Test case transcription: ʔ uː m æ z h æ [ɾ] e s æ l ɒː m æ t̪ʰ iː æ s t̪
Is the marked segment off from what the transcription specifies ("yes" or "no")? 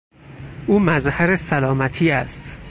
no